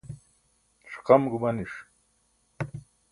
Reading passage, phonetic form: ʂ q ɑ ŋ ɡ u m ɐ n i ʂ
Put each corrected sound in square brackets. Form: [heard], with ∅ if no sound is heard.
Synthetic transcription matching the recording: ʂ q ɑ [m] ɡ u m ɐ n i ʂ